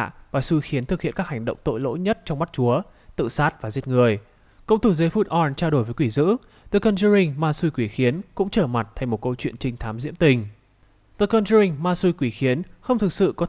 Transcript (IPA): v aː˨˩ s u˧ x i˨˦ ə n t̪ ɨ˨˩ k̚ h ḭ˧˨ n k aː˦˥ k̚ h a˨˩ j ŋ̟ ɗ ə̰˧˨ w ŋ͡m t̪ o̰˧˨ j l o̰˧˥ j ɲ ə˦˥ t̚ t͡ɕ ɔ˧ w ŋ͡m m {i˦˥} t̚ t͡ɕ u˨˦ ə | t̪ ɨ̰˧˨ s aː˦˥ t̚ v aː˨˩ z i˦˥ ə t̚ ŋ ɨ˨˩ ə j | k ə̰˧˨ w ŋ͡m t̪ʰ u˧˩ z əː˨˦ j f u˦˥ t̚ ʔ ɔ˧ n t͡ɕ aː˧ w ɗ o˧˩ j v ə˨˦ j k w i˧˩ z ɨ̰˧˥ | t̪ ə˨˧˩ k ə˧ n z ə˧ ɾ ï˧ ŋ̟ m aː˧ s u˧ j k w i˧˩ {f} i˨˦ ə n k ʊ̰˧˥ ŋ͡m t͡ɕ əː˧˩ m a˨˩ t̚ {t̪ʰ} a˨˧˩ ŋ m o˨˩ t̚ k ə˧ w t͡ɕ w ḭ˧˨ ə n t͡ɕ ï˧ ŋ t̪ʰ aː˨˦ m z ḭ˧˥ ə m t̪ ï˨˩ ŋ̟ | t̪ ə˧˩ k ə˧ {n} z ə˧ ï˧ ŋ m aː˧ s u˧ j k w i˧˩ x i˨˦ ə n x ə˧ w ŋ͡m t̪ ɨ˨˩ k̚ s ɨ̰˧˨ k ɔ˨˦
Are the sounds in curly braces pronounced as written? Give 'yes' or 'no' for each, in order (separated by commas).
no, no, yes, yes